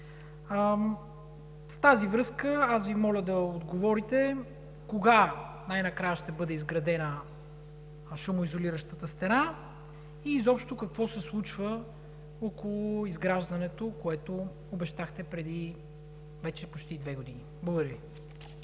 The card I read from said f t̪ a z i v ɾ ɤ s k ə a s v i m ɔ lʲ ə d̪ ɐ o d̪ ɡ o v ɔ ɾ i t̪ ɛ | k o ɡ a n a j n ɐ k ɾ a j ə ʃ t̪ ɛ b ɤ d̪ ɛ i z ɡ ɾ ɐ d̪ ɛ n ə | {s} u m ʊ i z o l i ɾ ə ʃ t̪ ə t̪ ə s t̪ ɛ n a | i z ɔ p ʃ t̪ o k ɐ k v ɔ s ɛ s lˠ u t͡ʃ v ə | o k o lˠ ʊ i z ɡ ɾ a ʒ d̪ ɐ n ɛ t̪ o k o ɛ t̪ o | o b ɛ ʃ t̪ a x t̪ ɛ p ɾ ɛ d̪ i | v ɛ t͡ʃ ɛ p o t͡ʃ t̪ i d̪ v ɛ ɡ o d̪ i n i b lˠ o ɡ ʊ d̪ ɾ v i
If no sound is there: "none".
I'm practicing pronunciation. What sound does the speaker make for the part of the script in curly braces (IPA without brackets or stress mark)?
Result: ʃ